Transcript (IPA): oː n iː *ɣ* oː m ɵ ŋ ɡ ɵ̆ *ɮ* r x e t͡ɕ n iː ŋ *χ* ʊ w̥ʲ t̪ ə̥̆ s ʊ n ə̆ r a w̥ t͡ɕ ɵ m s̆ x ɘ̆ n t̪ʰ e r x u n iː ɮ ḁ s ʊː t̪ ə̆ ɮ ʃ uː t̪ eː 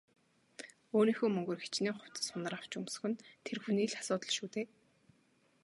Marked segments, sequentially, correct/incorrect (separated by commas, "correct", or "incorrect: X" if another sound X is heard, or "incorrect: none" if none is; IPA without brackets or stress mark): incorrect: x, incorrect: none, correct